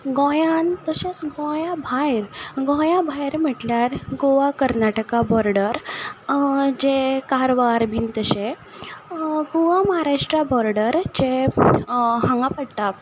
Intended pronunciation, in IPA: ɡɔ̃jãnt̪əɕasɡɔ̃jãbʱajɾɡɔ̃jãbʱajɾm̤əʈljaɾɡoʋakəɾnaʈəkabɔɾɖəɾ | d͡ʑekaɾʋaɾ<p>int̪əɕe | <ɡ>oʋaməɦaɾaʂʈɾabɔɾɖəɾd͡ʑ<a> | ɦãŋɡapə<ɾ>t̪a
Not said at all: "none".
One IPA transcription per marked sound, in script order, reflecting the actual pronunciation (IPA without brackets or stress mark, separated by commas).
b, ɡ, e, ɽ